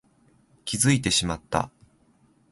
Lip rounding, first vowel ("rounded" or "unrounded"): unrounded